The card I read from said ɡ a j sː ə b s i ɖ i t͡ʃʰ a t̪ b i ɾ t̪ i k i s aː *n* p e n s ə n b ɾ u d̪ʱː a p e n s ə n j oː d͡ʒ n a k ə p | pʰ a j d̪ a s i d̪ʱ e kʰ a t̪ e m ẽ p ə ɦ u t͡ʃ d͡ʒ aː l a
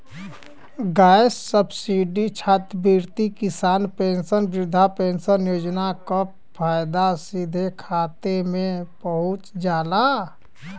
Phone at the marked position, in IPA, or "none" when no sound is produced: n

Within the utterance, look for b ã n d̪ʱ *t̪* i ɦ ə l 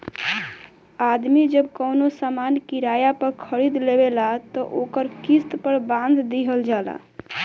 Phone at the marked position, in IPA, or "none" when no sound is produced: d̪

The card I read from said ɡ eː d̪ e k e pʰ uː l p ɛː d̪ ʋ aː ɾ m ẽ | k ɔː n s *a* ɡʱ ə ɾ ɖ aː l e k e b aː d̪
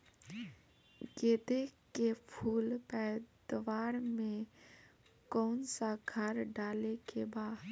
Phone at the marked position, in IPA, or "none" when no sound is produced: a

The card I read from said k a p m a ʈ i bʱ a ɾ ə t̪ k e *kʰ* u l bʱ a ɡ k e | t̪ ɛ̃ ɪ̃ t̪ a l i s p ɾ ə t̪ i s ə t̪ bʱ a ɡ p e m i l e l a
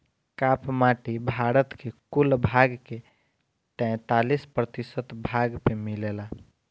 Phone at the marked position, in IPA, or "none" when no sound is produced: k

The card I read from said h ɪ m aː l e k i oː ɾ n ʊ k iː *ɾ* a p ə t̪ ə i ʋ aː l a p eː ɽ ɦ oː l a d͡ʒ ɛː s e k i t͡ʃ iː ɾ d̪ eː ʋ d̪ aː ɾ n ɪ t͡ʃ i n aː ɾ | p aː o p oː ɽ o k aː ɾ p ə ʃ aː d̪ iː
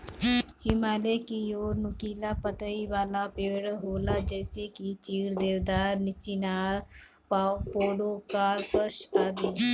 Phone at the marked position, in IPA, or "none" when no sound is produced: l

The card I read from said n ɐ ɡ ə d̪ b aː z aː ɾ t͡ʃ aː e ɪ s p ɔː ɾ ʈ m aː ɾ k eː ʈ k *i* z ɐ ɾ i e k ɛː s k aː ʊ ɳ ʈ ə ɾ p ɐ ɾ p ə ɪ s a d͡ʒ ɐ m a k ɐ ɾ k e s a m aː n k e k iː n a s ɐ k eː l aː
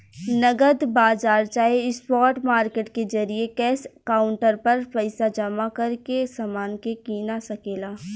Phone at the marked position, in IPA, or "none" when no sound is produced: e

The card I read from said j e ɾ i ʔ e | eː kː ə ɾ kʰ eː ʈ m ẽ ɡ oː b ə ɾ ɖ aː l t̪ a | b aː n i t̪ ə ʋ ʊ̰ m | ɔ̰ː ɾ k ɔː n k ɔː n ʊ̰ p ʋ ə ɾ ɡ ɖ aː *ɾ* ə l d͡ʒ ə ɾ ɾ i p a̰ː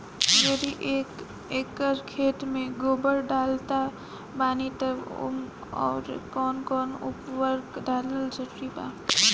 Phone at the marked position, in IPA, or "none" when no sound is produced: l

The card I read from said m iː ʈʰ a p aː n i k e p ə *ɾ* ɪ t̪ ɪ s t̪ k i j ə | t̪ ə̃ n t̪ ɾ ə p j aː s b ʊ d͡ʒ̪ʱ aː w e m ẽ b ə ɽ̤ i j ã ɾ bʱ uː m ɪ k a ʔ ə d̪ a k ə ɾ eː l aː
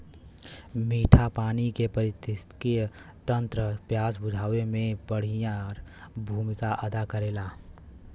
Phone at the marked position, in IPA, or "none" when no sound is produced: ɾ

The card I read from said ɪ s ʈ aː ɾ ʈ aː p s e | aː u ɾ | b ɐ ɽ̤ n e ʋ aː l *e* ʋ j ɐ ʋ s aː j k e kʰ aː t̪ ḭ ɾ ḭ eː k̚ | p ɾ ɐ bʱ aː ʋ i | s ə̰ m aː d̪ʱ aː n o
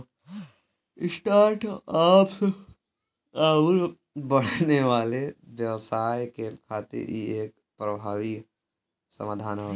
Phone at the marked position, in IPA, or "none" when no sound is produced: e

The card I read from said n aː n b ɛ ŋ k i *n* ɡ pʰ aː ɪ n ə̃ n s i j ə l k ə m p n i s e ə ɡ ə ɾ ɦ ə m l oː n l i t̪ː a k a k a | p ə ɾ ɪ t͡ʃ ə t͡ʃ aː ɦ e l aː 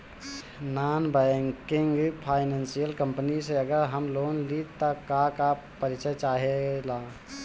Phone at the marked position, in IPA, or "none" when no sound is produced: ŋ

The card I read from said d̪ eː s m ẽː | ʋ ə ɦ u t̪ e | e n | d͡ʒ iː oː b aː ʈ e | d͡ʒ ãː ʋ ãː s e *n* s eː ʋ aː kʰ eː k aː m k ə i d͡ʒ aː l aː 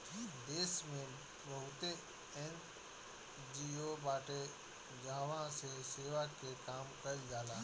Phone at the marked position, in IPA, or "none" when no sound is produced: none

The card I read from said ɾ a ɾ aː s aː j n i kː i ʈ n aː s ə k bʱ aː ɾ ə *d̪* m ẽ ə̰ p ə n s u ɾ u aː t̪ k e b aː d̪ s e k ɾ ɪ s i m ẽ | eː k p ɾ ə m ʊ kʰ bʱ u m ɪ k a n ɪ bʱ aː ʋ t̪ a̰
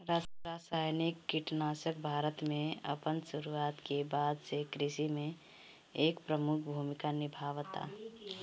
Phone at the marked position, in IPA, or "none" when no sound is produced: t̪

